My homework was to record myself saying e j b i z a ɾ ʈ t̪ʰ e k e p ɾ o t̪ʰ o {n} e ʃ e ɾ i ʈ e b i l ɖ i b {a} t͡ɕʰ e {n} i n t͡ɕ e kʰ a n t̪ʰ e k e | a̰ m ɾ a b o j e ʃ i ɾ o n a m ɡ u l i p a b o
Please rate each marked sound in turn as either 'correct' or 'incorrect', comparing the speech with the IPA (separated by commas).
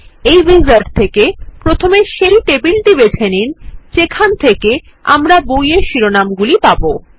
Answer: incorrect, incorrect, correct